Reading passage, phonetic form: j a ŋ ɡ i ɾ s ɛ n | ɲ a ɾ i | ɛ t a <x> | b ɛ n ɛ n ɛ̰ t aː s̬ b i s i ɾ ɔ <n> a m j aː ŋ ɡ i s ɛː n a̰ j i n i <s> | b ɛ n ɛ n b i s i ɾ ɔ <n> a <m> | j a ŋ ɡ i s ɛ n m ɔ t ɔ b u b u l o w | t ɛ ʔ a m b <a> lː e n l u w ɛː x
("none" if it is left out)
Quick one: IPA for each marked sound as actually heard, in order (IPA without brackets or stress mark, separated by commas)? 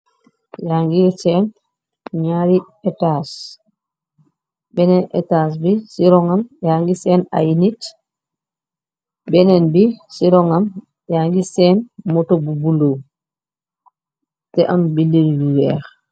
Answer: s, ŋ, t, ŋ, m, i